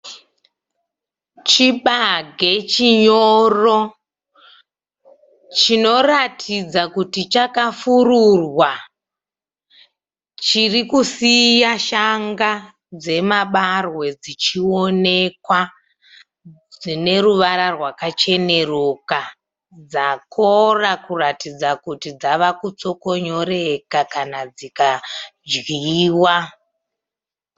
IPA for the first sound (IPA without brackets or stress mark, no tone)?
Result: t͡ʃ